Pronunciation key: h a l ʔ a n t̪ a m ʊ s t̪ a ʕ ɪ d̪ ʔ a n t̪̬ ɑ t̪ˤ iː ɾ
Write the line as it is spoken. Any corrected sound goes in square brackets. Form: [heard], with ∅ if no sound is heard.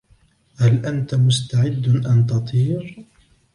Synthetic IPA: h a l ʔ a n t̪ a m ʊ s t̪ a ʕ ɪ [d̪ː] ʔ a n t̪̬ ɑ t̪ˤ iː ɾ